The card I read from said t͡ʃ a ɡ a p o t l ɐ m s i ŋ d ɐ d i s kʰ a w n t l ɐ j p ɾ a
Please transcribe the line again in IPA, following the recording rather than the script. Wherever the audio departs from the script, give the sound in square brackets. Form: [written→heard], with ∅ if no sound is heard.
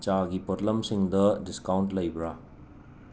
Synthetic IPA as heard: t͡ʃ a ɡ [a→i] p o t l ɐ m s i ŋ d ɐ d i s [kʰ→k] a w n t l ɐ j [p→b] ɾ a